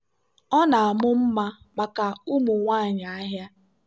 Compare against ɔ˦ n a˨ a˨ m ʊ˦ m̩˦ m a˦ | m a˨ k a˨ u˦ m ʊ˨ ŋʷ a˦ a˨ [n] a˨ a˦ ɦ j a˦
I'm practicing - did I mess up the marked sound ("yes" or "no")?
yes